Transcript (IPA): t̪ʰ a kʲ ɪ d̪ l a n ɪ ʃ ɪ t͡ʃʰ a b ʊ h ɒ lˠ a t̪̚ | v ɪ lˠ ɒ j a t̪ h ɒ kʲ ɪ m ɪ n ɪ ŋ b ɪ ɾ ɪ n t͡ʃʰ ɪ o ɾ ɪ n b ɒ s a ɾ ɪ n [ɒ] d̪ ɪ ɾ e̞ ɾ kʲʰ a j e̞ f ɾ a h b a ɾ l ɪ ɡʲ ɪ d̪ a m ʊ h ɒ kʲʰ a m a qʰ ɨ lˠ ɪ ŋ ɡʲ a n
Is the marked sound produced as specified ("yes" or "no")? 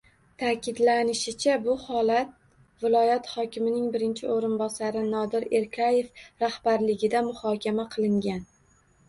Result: yes